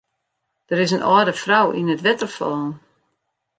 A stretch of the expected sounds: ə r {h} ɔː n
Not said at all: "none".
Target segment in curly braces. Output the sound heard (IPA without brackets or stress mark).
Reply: f